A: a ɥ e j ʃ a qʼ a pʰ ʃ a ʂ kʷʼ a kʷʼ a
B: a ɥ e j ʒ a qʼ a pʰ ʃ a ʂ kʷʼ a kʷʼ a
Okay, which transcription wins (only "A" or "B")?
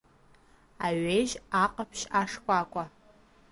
B